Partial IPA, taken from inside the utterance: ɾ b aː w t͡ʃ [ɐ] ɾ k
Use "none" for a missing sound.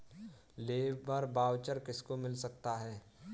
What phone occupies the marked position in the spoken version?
ə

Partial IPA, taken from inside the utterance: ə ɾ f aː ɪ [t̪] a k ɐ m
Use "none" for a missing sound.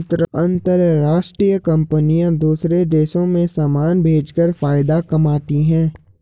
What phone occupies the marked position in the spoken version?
d̪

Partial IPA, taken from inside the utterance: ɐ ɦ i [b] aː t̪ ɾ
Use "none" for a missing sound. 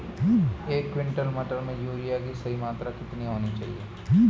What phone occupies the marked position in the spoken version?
m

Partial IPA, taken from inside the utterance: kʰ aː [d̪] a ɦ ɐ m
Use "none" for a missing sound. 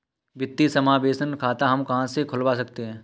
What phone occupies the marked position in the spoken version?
t̪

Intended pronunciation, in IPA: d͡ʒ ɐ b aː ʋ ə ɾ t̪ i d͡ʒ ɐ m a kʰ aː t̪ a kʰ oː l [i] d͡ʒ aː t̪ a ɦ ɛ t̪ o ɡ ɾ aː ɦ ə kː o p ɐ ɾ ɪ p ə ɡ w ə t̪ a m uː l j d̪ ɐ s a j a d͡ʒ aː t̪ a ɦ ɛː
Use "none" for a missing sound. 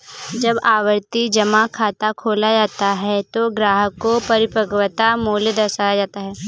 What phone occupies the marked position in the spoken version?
a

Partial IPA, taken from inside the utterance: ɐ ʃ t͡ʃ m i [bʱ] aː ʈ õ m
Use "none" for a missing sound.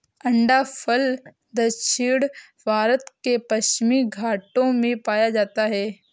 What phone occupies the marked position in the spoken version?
ɡʱ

